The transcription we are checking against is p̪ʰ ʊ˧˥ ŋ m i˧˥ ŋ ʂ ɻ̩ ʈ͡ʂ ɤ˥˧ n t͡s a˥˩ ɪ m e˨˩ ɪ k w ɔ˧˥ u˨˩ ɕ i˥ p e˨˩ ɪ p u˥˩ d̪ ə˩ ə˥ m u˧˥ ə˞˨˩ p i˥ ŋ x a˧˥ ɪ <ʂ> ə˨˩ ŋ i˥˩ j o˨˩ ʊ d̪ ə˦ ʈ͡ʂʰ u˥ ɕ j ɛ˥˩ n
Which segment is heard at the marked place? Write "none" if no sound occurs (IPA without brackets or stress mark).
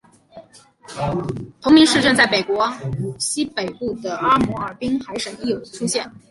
ʂ